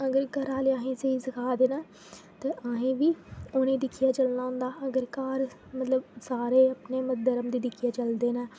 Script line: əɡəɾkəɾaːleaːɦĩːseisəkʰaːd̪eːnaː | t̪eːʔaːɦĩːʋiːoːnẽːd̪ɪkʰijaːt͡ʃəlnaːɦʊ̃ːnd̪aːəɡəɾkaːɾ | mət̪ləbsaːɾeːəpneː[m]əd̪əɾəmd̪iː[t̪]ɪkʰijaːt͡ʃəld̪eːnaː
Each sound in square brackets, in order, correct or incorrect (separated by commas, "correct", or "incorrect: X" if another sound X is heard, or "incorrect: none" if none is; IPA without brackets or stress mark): correct, incorrect: d̪